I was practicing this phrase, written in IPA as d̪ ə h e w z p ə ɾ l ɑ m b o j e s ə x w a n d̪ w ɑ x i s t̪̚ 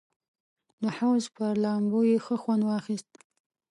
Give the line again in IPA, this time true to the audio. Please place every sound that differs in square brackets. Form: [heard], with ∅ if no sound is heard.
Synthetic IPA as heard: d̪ ə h [a] w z p ə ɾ l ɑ m b o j e [x] ə x w a n d̪ w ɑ x i s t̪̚